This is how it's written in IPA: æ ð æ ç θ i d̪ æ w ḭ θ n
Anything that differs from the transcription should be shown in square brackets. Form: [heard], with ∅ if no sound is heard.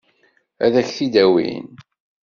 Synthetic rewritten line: æ ð æ ç θ i d̪ æ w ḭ [∅] n

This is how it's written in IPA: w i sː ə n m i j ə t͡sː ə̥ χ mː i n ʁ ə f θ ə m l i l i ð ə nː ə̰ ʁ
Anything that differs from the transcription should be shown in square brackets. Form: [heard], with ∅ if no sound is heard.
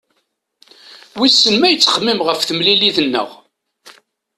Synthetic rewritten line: w i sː ə n m [æ] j ə t͡sː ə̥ χ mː i [m] ʁ ə f θ ə m l i l i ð ə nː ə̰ ʁ

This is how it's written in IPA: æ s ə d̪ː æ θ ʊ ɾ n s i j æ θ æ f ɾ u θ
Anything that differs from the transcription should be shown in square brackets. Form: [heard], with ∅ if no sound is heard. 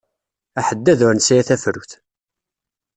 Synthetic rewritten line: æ [ħ] ə d̪ː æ [ð] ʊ ɾ n s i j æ θ æ f ɾ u θ

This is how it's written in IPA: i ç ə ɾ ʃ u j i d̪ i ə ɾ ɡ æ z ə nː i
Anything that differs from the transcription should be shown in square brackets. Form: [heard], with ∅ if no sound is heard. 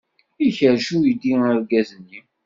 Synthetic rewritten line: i ç ə ɾ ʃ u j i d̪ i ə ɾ ɡ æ z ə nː i

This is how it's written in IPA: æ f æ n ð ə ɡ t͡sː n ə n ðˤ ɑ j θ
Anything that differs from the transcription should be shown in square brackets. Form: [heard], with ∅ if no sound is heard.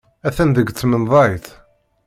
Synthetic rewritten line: æ [θ] æ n ð ə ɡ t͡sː [m] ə n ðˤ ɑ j θ

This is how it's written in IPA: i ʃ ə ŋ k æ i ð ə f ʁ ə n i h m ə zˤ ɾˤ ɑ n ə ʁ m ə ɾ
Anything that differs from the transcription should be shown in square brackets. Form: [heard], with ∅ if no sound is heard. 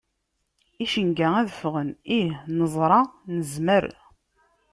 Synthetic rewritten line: i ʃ ə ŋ [ɡ] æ [æ] ð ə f ʁ ə n i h [n] ə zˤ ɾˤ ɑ n ə [z] m ə ɾ

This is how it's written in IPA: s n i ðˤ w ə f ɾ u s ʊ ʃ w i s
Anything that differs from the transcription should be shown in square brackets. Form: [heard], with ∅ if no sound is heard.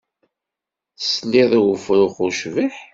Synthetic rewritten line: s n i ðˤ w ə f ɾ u [χ] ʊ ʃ [v] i [ħ]

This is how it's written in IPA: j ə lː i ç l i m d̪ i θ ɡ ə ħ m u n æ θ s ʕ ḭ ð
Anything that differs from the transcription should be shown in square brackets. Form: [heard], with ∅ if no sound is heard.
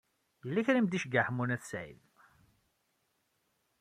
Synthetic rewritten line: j ə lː [æ] ç [ɾ] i m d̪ i [ʃ] ɡ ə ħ m u n æ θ s ʕ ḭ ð

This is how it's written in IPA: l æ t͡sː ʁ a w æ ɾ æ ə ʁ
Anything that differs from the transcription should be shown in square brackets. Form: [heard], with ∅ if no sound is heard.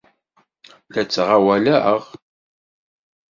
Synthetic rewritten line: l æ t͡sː ʁ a w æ [l] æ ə ʁ

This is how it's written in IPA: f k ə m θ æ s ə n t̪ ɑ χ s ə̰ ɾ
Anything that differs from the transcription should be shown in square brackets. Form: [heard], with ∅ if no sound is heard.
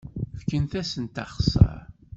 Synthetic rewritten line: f k ə [n] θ æ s ə n t̪ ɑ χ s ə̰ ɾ

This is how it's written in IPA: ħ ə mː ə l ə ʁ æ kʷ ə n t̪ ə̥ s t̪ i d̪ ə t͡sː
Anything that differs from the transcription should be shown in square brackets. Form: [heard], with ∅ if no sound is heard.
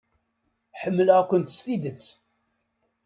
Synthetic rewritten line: ħ ə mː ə l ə ʁ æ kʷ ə n t̪ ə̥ s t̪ i d̪ ə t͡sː

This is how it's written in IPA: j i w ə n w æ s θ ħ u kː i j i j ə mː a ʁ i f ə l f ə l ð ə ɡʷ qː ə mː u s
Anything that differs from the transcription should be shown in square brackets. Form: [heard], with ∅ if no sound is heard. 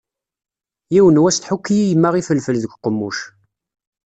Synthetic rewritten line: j i w ə n w æ s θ ħ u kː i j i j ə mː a ʁ i f ə l f ə l ð ə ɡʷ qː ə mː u [ʃ]

